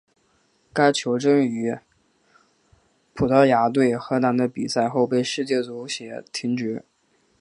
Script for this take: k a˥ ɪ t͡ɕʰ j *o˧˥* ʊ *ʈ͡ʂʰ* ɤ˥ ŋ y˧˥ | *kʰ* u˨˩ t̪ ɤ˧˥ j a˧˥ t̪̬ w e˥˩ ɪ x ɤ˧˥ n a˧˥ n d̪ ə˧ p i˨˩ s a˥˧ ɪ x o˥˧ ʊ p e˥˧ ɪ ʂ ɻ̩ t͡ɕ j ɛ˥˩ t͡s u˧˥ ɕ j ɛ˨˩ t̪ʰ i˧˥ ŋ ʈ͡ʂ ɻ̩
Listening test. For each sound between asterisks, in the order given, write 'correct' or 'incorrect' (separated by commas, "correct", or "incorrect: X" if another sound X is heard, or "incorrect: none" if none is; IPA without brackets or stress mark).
correct, incorrect: ʈ͡ʂ, incorrect: pʰ